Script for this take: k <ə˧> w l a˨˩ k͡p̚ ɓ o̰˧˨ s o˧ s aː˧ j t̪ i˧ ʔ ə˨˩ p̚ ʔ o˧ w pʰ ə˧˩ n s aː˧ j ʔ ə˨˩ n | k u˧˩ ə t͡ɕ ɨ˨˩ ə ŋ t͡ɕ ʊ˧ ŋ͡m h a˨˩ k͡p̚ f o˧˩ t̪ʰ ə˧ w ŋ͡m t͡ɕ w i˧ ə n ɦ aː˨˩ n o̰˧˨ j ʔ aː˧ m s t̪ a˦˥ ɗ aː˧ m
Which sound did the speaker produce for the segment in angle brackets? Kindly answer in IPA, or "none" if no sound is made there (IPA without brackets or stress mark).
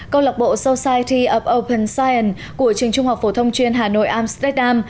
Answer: ə˧